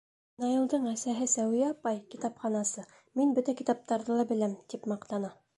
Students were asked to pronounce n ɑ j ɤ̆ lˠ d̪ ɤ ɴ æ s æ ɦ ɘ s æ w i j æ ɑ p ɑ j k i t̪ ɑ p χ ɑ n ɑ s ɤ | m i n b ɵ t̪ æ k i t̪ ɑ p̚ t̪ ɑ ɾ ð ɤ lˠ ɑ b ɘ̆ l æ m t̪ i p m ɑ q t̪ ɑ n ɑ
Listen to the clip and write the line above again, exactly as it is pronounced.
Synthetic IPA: n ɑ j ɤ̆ lˠ d̪ ɤ ɴ æ s æ ɦ ɘ s æ w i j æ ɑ p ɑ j k i t̪ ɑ p χ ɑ n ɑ s ɤ | m i n b ɵ t̪ æ k i t̪ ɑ p̚ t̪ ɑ ɾ ð ɤ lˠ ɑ b ɘ̆ l æ m t̪ i p m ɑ q t̪ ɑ n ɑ